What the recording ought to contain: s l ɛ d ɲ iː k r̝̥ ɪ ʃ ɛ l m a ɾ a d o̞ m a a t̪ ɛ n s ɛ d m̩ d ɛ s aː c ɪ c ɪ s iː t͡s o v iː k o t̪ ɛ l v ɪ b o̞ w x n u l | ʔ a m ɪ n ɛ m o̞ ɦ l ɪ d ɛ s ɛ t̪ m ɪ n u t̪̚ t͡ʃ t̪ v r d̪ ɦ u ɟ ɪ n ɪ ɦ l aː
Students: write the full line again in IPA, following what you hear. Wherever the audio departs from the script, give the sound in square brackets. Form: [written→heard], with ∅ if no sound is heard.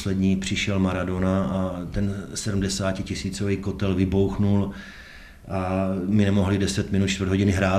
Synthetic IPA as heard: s l ɛ d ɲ iː [k→p] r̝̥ ɪ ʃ ɛ l m a ɾ a d o̞ [m→n] a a t̪ ɛ n s ɛ d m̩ d ɛ s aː c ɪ c ɪ s iː t͡s o v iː k o t̪ ɛ l v ɪ b o̞ w x n u l | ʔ a m ɪ n ɛ m o̞ ɦ l ɪ d ɛ s ɛ t̪ m ɪ n u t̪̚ t͡ʃ t̪ v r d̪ ɦ [u→o] ɟ ɪ n ɪ ɦ [l→ɾ] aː